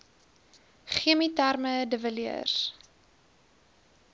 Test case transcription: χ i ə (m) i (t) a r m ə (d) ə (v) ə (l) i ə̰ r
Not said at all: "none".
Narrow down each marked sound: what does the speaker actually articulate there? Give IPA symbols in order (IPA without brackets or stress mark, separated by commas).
m, t, d, v, l